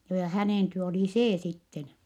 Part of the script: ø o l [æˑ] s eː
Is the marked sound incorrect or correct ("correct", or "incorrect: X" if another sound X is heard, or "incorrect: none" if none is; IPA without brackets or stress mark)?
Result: incorrect: iˑ